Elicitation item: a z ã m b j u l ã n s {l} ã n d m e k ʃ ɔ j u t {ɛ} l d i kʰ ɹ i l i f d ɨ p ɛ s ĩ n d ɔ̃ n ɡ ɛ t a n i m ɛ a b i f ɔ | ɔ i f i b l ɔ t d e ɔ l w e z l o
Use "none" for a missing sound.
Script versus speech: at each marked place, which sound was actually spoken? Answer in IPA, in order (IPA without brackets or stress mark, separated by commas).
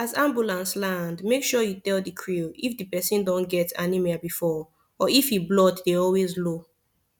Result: l, ɛ